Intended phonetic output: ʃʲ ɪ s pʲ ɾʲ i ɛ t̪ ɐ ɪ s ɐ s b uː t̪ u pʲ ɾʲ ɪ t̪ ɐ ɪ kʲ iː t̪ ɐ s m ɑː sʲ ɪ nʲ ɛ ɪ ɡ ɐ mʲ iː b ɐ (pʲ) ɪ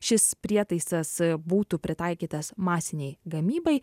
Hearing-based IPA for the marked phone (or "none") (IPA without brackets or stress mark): none